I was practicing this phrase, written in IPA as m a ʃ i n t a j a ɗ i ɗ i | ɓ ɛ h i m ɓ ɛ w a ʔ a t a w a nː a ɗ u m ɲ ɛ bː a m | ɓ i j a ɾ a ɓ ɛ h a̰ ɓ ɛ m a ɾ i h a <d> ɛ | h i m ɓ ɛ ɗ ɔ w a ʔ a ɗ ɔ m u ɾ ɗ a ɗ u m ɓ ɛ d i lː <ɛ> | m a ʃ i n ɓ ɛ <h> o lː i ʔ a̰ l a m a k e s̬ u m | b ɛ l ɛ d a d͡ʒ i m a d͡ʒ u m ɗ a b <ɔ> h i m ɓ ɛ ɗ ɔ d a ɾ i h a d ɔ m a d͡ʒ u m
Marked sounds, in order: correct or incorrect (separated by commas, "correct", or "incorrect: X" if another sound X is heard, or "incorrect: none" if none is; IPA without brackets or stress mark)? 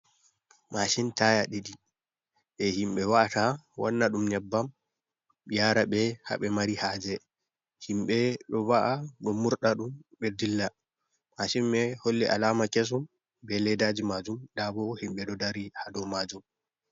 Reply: incorrect: d͡ʒ, incorrect: a, correct, correct